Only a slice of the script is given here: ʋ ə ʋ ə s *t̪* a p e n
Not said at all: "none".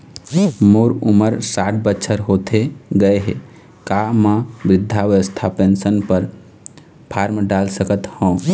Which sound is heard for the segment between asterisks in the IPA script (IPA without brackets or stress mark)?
t̪ʰ